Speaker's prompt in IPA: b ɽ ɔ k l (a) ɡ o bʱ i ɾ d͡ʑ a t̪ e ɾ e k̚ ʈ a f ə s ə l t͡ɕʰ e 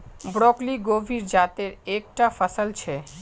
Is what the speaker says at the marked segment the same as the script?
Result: no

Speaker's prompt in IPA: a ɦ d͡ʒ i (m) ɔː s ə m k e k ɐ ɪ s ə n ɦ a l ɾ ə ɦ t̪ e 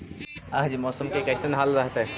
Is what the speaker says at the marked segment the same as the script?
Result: yes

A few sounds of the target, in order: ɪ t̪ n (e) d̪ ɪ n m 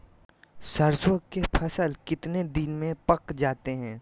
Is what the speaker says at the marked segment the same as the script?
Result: yes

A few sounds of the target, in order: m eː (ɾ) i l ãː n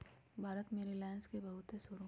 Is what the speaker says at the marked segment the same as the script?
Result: yes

